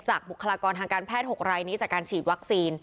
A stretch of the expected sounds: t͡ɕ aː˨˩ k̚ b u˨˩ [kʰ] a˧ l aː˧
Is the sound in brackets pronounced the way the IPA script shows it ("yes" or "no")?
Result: yes